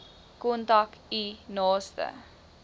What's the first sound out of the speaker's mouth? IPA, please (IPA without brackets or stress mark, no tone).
k